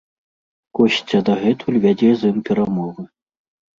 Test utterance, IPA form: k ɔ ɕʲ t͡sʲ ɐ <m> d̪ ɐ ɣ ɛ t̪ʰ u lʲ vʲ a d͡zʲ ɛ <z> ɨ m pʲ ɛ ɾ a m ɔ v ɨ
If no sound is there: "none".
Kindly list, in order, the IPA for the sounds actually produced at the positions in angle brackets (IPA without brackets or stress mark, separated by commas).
none, z